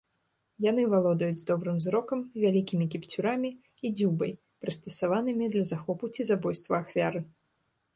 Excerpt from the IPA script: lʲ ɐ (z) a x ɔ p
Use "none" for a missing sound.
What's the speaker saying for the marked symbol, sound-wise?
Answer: z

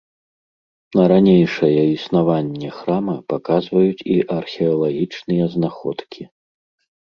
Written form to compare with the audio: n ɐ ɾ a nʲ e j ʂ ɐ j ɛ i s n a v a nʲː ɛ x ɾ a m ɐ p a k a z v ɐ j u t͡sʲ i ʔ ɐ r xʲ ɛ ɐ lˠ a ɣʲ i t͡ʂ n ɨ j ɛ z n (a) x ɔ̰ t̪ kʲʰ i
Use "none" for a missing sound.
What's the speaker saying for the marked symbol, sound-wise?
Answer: a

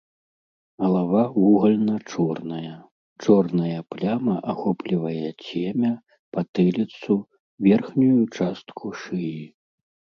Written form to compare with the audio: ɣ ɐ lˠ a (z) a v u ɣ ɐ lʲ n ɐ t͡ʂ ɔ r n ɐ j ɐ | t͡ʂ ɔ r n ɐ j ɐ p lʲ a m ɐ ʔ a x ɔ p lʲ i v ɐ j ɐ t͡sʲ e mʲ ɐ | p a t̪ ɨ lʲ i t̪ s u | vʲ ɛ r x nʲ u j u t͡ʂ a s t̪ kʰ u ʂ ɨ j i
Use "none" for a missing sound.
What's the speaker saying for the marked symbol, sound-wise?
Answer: v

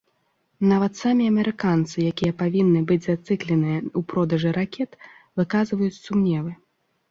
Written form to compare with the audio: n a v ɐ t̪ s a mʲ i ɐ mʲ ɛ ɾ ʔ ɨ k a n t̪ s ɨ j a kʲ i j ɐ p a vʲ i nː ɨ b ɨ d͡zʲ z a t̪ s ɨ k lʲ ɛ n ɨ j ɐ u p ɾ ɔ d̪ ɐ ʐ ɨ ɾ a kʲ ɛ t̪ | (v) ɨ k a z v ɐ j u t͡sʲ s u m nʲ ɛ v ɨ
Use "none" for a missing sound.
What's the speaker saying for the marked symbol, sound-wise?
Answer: v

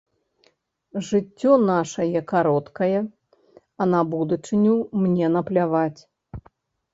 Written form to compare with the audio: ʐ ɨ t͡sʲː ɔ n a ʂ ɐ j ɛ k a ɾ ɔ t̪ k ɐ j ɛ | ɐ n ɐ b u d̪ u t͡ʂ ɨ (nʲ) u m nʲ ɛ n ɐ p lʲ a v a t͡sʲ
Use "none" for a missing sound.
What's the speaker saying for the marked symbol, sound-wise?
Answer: nʲ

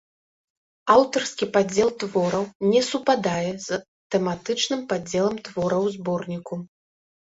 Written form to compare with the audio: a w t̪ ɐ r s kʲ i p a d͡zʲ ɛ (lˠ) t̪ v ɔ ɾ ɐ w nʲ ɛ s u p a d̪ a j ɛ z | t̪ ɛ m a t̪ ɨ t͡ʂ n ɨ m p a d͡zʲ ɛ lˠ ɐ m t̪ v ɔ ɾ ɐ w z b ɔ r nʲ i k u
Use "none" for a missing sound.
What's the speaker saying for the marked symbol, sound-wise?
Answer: lˠ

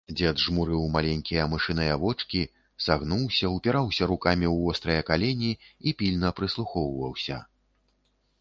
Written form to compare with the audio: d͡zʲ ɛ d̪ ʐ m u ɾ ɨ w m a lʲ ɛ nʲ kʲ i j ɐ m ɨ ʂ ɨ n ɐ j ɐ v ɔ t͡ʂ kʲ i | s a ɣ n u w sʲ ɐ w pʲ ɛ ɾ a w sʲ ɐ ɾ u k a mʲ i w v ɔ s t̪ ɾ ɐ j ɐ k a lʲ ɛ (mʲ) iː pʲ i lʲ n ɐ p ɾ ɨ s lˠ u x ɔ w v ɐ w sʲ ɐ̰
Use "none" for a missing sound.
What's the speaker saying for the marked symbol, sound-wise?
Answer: nʲ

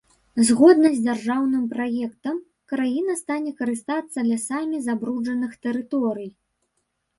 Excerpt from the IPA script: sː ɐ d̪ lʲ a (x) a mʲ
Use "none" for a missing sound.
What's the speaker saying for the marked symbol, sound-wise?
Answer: s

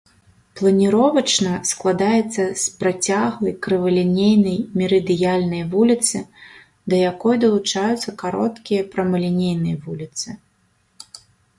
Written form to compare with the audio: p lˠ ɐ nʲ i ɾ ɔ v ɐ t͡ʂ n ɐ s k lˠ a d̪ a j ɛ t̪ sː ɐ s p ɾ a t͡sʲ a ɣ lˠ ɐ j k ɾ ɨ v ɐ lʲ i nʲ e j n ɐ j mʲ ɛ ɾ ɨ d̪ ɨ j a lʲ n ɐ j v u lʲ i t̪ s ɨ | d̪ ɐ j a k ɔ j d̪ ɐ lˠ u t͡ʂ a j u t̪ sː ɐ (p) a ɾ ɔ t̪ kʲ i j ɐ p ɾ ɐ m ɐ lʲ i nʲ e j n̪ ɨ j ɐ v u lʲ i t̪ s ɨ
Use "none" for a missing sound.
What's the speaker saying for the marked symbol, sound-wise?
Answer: k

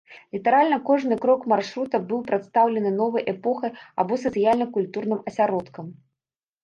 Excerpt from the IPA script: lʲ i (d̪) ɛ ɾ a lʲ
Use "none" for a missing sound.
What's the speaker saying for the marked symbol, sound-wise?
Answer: t̪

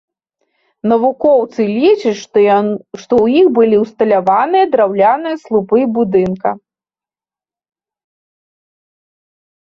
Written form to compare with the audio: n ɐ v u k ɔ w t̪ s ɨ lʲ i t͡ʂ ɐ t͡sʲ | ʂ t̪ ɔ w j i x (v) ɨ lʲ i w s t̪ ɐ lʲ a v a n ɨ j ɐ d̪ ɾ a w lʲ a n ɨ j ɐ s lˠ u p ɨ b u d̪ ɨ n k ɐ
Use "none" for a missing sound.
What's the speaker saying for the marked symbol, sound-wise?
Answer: b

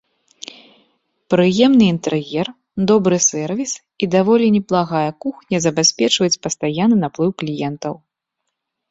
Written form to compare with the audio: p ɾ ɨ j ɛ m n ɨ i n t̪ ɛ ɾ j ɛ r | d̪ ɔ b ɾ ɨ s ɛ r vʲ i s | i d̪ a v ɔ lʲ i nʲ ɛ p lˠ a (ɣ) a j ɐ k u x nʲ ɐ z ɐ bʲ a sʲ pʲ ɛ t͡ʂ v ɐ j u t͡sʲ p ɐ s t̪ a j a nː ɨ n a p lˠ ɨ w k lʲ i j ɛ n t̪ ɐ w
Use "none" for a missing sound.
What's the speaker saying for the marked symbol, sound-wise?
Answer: ɣ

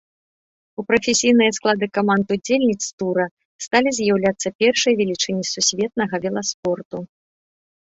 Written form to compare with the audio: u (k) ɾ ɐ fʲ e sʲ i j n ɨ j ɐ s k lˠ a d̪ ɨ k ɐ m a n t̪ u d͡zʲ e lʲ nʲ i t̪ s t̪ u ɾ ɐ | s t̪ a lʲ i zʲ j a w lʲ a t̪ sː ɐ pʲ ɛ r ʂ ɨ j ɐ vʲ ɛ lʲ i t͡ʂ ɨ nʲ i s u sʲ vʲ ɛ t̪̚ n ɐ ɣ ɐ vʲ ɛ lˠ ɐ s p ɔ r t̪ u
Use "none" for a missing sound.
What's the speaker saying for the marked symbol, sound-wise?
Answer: p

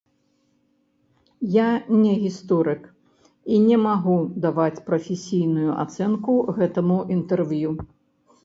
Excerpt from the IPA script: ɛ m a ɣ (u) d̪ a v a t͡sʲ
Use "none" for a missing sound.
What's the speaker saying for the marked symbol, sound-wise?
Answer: u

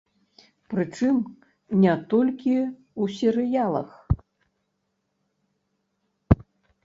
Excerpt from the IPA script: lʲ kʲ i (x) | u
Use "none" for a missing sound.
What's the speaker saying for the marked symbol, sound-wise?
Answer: none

